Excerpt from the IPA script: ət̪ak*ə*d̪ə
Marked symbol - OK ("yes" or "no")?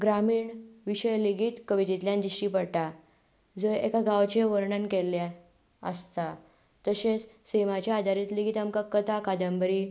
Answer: no